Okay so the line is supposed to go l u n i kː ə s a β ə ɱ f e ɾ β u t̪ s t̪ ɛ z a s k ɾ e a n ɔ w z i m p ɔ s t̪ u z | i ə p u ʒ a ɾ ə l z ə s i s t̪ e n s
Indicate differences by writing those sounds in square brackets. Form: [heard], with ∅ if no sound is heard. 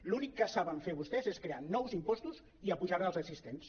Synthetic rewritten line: l u n i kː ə s a β ə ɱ f e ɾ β u [∅] s t̪ ɛ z [e] s k ɾ e a n ɔ w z i m p ɔ s t̪ u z | i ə p u ʒ a ɾ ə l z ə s i s t̪ e n s